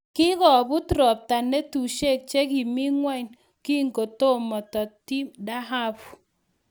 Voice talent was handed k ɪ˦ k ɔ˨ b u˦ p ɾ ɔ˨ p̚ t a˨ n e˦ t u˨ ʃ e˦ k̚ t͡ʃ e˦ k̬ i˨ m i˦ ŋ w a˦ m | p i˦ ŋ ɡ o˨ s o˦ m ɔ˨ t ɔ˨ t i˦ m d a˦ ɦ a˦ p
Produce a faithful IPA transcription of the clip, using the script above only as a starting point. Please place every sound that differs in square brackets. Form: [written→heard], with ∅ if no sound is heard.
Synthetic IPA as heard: k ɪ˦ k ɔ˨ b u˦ [p→t] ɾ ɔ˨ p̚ t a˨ n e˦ t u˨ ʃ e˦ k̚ t͡ʃ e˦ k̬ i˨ m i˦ ŋ w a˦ [m→n] | [p→k] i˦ ŋ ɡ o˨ [s→t] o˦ m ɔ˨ t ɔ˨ t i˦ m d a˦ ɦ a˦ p